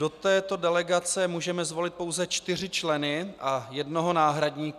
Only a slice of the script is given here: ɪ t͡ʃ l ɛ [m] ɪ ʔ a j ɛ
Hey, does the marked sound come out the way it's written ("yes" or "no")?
no